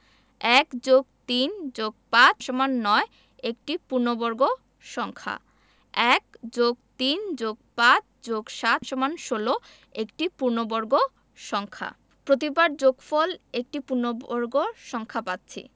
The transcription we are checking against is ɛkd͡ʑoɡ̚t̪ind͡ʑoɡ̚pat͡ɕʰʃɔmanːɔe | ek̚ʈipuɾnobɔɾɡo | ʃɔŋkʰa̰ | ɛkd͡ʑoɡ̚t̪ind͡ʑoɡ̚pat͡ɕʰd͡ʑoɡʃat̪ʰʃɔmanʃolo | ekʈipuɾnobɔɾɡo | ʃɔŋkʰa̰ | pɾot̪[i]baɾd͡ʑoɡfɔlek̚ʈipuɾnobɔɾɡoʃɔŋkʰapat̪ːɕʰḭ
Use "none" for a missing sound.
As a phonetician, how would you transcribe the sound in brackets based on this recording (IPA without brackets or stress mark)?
i